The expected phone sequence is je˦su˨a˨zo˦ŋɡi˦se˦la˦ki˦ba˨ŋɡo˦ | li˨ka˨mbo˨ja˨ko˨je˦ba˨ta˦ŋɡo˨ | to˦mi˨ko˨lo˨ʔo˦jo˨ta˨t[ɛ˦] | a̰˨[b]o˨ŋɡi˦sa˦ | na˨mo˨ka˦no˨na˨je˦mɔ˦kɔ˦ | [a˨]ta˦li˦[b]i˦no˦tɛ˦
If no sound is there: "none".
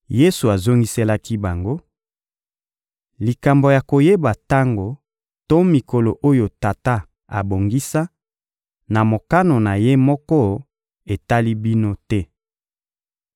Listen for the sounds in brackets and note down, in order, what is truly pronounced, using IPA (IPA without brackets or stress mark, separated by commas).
a˦, b, e˨, b